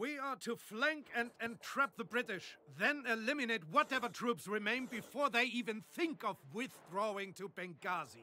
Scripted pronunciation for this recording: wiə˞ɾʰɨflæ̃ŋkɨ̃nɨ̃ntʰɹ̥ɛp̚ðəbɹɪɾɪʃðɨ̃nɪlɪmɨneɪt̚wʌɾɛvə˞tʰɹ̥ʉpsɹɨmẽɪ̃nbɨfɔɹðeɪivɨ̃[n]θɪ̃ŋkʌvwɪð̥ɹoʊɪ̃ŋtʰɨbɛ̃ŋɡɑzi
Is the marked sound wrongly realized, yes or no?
no